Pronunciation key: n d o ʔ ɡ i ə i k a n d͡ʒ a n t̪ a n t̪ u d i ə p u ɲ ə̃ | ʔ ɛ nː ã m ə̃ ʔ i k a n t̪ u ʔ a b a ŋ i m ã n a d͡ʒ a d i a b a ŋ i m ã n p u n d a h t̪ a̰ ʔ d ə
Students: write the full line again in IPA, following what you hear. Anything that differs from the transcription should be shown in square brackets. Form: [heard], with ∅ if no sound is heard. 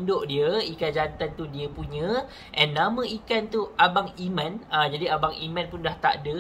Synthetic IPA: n d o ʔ [d] i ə i k a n d͡ʒ a n t̪ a n t̪ u d i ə p u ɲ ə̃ | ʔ ɛ nː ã m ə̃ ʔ i k a n t̪ u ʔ a b a ŋ i m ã n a d͡ʒ a d i a b a ŋ i m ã n p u n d a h t̪ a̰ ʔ d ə

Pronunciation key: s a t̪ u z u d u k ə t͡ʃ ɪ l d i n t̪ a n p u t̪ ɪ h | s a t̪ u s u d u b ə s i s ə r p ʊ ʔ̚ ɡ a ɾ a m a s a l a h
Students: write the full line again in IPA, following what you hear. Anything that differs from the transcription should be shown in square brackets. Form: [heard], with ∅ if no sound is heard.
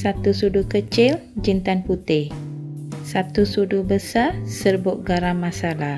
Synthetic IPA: s a t̪ u [s] u d u k ə t͡ʃ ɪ l [d͡ʒ] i n t̪ a n p u t̪ ɪ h | s a t̪ u s u d u b ə s [a] s ə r [b] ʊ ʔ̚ ɡ a ɾ a m a s a l a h

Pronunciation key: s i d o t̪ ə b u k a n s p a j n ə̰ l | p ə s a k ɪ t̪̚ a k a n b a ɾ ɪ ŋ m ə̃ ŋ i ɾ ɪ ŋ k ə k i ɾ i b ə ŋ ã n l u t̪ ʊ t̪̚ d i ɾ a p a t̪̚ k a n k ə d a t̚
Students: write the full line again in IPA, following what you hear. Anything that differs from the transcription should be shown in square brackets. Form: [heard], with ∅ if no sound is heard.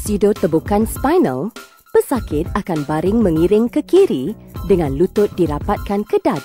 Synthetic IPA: s i d o t̪ ə b u k a n s p a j n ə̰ l | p ə s a k ɪ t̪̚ a k a n b a ɾ ɪ ŋ m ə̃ ŋ i ɾ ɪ ŋ k ə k i ɾ i [d] ə ŋ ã n l u t̪ ʊ t̪̚ d i ɾ a p a t̪̚ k a n k ə d a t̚

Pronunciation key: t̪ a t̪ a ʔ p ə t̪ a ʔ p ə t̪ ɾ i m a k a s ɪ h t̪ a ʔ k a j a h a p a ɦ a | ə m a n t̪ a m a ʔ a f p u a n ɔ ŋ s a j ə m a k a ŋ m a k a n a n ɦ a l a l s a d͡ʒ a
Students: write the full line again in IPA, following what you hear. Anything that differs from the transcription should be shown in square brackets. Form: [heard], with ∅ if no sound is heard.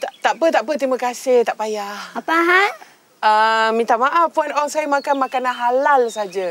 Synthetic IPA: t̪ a t̪ a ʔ p ə t̪ a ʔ p ə t̪ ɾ i m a k a s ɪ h t̪ a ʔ [p] a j a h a p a ɦ a | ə m [i] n t̪ a m a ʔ a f p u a n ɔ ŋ s a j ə m a k a [n] m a k a n a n ɦ a l a l s a d͡ʒ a

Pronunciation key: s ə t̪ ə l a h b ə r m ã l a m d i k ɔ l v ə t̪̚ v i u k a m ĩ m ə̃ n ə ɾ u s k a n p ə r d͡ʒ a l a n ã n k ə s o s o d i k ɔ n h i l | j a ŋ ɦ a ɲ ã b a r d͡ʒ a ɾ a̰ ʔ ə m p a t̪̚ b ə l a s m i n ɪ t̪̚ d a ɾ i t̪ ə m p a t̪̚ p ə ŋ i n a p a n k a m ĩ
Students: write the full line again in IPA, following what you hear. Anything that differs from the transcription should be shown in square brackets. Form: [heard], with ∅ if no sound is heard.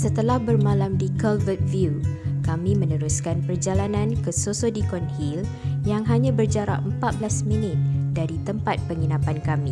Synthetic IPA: s ə t̪ ə l a h b ə r m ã l a m d i k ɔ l v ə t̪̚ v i u k a m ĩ m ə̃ n ə ɾ u s k a n p ə r d͡ʒ a l a n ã n k ə s o s o d i k ɔ n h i l | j a ŋ ɦ a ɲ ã b [ə] r d͡ʒ a ɾ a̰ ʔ ə m p a t̪̚ b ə l a s m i n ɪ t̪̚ d a ɾ i t̪ ə m p a t̪̚ p ə ŋ i n a p a n k a m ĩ

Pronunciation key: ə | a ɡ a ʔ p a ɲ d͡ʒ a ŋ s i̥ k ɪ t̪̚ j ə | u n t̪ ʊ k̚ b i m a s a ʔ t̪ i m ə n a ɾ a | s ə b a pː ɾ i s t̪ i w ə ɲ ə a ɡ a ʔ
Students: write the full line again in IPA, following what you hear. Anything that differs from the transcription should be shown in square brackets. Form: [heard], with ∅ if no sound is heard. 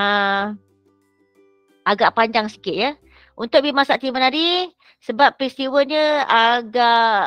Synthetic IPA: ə | a ɡ a ʔ p a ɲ d͡ʒ a ŋ s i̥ k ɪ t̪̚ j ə | u n t̪ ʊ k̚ b i m a s a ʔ t̪ i m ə n a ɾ [i] | s ə b a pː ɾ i s t̪ i w ə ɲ ə a ɡ a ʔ

